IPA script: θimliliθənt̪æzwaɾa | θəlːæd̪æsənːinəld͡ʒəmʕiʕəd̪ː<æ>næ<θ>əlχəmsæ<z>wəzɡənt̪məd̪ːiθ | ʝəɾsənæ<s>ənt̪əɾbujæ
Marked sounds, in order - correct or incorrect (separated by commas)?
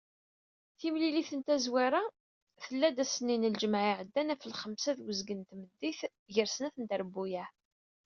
correct, incorrect, incorrect, incorrect